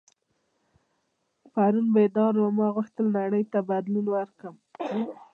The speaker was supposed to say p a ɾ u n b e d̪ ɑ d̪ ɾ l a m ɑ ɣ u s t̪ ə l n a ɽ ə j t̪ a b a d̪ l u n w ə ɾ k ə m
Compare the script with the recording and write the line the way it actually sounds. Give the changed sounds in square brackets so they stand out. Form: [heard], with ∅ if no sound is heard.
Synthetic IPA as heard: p a ɾ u n b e d̪ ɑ [∅] ɾ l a m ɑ ɣ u [x] t̪ ə l n a ɽ ə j t̪ a b a d̪ l u n w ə ɾ k ə m